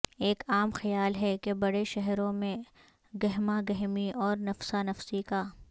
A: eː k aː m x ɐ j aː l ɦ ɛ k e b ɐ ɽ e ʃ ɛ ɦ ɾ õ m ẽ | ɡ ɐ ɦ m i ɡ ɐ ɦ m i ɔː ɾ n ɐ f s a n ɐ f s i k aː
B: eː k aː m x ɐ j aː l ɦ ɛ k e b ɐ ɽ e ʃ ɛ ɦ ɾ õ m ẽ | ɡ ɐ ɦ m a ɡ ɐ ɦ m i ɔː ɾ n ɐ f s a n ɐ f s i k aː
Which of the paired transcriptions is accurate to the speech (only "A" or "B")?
B